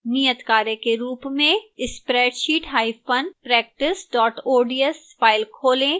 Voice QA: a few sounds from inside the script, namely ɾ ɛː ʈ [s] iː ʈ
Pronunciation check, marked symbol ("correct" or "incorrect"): incorrect